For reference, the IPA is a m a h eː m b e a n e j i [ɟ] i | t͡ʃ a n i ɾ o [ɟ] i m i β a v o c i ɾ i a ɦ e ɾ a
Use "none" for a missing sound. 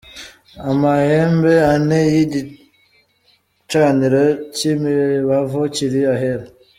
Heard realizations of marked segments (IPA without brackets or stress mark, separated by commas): ɟ, c